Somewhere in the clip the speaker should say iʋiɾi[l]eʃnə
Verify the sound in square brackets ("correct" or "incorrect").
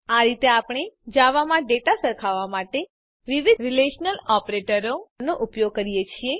correct